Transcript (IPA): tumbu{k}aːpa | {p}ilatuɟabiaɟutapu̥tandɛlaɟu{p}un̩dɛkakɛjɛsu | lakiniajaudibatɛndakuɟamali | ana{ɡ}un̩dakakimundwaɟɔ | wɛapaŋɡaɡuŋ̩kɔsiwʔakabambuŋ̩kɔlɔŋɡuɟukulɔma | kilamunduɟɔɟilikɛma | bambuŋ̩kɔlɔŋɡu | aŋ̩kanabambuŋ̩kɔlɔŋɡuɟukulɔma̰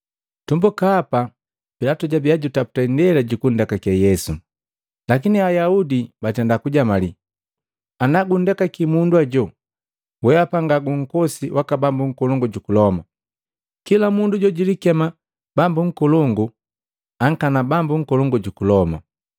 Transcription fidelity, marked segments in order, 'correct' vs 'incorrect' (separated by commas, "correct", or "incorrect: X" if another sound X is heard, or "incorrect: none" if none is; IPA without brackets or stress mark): correct, correct, incorrect: k, correct